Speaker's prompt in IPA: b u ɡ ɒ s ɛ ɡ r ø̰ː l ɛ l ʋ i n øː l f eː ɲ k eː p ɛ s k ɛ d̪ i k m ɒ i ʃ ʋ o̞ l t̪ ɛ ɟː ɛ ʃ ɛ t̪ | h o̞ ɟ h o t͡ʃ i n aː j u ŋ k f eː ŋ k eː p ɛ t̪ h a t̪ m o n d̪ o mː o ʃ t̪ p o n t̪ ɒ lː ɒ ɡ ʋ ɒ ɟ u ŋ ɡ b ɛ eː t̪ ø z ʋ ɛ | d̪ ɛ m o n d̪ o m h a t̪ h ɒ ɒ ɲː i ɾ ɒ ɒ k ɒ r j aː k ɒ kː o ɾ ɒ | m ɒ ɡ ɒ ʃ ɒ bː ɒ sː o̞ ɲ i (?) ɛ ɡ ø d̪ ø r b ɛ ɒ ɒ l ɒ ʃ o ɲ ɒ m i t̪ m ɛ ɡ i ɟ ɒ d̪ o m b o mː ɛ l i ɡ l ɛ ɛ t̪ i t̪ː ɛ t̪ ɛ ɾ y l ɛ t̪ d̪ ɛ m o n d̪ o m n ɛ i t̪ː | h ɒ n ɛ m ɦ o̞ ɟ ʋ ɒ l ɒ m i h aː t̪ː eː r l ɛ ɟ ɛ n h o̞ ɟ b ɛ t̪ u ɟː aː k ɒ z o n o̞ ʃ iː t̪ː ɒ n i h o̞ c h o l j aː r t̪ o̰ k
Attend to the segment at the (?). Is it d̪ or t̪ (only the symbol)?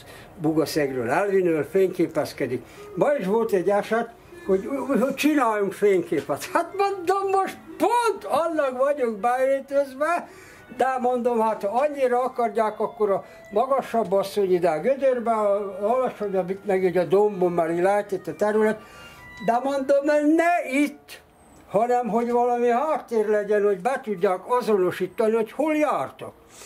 d̪